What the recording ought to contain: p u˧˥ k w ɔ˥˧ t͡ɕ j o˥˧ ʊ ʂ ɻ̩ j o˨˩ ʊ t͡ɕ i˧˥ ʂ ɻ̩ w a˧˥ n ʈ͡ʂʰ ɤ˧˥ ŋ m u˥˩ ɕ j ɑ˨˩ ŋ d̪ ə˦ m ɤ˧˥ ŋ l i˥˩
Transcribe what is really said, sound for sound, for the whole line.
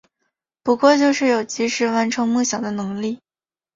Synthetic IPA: p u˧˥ k w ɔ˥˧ t͡ɕ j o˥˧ ʊ ʂ ɻ̩ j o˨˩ ʊ t͡ɕ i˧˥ ʂ ɻ̩ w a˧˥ n ʈ͡ʂʰ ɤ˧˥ ŋ m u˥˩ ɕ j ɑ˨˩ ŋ d̪ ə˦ n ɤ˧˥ ŋ l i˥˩